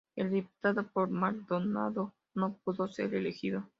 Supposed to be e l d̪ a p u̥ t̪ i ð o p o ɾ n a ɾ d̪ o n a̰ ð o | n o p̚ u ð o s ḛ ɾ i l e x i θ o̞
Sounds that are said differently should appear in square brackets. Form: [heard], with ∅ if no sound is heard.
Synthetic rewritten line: e l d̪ [i] p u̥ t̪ [a] ð o p o ɾ [m] a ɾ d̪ o n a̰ ð o | n o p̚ u ð o s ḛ ɾ [e] l e x i [ð] o̞

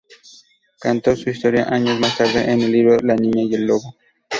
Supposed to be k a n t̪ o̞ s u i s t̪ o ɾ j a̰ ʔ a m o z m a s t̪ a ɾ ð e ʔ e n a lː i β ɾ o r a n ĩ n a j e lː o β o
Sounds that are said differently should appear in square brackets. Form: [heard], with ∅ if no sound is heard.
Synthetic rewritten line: k a n t̪ o̞ s u i s t̪ o ɾ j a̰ ʔ a [ɲ] o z m a s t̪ a ɾ ð e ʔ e n [e] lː i β ɾ o [l] a n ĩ [ɲ] a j e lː o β o

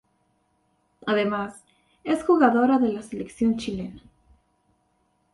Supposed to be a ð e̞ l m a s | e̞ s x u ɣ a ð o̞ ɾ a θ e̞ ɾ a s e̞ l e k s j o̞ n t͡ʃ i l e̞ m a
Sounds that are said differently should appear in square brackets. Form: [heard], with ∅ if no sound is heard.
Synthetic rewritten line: a ð e̞ [∅] m a s | e̞ s x u ɣ a ð o̞ ɾ a [ð] e̞ [l] a s e̞ l e k s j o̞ n t͡ʃ i l e̞ [n] a

